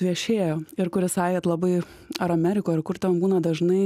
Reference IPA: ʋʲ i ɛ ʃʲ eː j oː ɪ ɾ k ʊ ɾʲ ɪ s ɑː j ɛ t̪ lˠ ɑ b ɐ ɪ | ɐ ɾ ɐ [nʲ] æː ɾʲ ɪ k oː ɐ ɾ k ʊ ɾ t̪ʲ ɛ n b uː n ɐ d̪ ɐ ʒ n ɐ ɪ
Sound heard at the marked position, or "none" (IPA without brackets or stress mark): mʲ